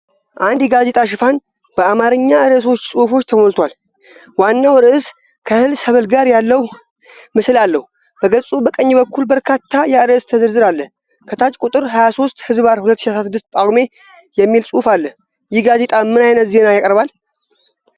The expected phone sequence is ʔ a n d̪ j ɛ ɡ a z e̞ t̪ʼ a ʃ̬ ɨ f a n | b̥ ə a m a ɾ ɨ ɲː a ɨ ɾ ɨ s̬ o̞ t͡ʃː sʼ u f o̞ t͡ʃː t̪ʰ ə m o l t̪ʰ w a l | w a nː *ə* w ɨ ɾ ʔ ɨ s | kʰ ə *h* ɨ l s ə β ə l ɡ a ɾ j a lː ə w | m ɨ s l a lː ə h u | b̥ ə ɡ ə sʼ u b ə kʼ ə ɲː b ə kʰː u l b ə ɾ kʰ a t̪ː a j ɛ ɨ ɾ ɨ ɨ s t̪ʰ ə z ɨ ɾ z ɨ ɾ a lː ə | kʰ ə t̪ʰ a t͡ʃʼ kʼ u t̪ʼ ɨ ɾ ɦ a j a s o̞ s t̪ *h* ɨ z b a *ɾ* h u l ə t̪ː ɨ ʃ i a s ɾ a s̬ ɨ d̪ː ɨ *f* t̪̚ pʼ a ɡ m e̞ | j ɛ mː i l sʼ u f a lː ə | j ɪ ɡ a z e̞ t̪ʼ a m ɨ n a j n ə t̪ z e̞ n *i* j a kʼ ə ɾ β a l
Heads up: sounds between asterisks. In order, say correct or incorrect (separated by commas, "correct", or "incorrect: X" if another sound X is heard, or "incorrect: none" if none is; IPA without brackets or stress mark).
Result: incorrect: a, correct, correct, correct, incorrect: s, incorrect: a